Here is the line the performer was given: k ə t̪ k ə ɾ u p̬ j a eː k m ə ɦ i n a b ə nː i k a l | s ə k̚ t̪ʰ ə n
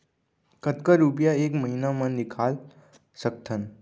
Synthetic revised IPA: k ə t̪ k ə ɾ u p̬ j a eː k m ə ɦ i n a m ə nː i kʰ a l | s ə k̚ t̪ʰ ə n